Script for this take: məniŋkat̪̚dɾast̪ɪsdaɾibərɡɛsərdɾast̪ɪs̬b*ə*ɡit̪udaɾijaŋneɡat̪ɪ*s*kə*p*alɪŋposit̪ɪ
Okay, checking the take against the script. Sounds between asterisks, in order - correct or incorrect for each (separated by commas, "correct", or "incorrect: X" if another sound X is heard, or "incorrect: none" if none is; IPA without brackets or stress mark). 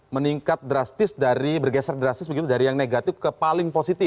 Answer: correct, incorrect: f, correct